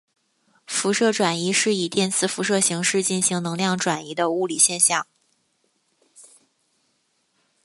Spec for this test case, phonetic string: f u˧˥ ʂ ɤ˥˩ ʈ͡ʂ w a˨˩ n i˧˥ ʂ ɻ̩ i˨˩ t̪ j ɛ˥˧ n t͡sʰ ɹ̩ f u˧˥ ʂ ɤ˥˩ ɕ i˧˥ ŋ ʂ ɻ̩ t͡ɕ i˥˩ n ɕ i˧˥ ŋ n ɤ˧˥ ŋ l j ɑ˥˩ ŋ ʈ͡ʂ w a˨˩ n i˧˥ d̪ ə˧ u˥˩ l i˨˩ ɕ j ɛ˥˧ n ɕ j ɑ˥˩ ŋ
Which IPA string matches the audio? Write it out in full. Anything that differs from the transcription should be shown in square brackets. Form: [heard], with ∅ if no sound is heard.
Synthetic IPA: f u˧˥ ʂ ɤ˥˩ ʈ͡ʂ w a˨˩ n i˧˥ ʂ ɻ̩ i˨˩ t̪ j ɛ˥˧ n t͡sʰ ɹ̩ f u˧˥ ʂ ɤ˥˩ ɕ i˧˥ ŋ ʂ ɻ̩ t͡ɕ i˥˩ n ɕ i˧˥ ŋ n ɤ˧˥ ŋ l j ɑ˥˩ ŋ ʈ͡ʂ w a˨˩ n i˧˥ d̪ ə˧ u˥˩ l i˨˩ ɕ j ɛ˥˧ n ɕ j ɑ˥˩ ŋ